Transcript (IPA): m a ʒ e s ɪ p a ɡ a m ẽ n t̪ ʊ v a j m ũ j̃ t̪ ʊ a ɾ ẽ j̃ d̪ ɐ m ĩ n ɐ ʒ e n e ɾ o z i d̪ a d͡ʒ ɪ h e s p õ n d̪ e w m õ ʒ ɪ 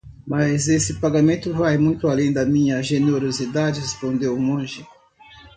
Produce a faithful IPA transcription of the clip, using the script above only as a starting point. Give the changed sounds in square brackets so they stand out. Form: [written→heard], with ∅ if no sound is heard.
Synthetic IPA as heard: m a [ʒ→z] e s ɪ p a ɡ a m ẽ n t̪ ʊ v a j m ũ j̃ t̪ ʊ a [ɾ→l] ẽ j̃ d̪ ɐ m ĩ [n→ɲ] ɐ ʒ e n e ɾ o z i d̪ a d͡ʒ ɪ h e s p õ n d̪ e w m õ ʒ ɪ